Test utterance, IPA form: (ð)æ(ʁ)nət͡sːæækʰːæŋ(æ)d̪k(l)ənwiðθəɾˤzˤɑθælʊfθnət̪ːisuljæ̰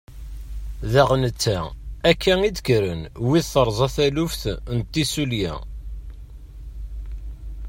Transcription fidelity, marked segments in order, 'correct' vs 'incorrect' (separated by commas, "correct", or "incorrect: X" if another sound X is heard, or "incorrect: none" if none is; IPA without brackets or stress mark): correct, correct, incorrect: i, incorrect: ɾ